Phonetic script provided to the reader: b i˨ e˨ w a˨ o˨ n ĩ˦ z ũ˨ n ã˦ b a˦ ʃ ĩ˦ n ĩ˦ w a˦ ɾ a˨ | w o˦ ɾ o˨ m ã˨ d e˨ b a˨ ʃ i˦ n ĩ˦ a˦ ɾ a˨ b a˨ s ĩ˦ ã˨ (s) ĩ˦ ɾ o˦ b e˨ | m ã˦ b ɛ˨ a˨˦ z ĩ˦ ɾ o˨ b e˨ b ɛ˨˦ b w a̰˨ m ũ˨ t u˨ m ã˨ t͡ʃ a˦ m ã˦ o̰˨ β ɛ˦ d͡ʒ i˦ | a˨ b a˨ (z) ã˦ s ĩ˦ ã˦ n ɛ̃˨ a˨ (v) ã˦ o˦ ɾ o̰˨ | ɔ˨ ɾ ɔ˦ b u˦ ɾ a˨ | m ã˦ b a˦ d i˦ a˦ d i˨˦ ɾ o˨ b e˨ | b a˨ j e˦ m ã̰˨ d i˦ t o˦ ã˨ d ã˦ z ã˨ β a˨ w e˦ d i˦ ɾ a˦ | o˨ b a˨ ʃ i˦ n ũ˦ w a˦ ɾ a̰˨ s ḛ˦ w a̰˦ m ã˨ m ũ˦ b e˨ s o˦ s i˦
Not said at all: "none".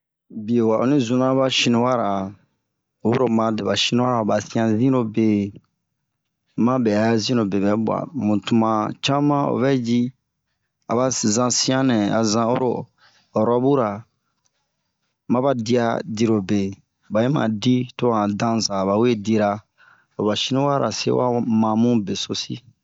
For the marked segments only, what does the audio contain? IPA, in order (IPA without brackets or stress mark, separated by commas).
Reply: z, z, z